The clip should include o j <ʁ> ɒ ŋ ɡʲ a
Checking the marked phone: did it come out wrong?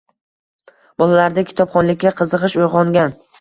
no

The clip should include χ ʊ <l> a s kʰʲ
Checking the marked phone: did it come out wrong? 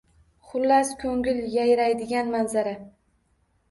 yes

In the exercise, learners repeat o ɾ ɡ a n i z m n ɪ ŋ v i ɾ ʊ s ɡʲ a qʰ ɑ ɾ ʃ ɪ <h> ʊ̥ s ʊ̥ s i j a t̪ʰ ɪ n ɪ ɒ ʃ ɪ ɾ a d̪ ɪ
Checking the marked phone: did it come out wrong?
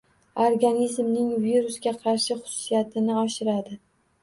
yes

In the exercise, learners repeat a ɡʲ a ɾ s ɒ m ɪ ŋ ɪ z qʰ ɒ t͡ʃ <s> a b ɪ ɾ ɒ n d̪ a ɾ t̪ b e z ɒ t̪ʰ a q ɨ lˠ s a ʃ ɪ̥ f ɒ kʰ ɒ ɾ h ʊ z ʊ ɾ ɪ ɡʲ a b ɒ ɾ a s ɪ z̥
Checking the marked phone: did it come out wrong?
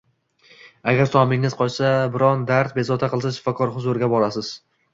no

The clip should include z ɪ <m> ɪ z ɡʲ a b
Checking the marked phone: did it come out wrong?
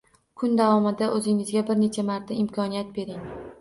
yes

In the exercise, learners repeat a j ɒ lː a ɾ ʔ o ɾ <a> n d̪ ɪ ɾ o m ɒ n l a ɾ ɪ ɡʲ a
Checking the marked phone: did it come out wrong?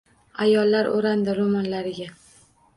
no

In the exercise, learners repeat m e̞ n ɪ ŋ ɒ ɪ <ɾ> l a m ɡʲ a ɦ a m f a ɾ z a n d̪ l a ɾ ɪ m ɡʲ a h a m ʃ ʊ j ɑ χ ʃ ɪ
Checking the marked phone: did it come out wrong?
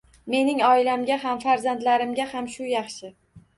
yes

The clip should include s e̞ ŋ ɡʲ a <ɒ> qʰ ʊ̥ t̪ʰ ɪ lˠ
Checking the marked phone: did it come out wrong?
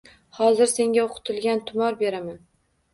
yes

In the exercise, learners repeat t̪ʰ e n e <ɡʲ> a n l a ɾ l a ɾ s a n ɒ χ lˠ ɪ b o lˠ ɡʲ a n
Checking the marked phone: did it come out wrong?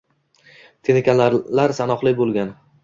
yes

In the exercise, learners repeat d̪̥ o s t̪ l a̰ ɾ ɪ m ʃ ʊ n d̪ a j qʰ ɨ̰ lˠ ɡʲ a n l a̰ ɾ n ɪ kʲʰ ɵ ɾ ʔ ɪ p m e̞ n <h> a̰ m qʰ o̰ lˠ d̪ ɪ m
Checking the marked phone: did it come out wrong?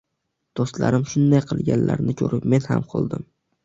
no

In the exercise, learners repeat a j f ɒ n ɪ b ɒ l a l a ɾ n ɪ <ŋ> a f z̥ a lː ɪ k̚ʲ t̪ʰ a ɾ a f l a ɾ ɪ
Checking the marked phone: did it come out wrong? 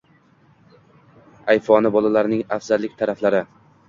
no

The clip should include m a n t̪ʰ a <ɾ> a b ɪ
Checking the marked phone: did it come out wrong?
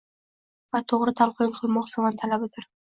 yes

